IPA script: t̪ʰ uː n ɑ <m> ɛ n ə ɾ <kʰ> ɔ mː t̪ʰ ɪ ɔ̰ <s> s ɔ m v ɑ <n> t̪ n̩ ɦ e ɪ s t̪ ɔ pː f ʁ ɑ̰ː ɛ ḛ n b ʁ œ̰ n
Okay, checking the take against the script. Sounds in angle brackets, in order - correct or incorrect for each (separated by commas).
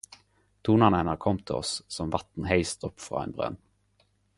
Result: incorrect, correct, correct, incorrect